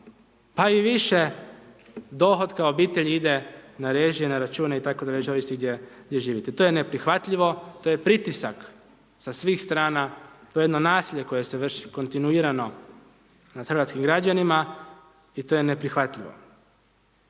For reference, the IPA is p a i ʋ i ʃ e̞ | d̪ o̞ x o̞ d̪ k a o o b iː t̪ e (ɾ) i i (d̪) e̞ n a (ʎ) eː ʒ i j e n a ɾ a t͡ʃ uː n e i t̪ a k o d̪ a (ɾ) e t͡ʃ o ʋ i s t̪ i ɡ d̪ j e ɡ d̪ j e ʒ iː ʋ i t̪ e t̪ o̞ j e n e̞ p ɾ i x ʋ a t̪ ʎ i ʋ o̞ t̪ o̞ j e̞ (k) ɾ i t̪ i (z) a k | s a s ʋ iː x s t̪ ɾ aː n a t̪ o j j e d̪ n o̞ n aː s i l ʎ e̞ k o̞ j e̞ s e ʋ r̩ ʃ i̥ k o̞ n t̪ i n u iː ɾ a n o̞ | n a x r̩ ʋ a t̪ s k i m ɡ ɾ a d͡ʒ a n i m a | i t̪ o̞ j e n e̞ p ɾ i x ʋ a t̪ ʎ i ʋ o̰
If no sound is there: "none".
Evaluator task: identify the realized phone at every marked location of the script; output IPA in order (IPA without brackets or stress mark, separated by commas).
ʎ, d̪, ɾ, ʎ, p, s